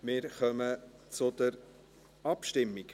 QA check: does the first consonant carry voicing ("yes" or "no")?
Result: yes